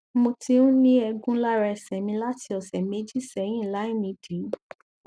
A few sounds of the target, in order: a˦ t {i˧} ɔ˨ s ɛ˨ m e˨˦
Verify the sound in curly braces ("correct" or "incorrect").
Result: correct